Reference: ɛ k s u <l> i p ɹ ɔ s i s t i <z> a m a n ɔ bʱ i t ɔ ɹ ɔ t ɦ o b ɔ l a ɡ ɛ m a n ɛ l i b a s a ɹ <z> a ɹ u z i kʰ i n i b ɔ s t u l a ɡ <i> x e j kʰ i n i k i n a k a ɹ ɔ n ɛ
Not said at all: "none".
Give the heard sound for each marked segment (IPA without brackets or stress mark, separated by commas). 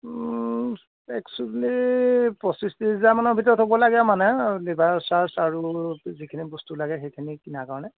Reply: l, z, s, ɛ